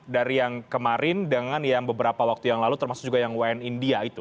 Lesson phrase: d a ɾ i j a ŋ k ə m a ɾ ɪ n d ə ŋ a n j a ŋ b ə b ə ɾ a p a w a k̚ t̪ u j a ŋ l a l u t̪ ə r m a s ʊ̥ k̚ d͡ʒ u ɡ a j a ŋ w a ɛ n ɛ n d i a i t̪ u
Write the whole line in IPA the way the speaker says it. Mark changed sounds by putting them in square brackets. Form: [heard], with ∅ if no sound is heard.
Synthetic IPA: d a ɾ i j a ŋ k ə m a ɾ ɪ n d ə ŋ a n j a ŋ b ə b ə ɾ a p a w a k̚ t̪ u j a ŋ l a l u t̪ ə r m a s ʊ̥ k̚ d͡ʒ u ɡ a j a ŋ w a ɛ n [i] n d i a i t̪ u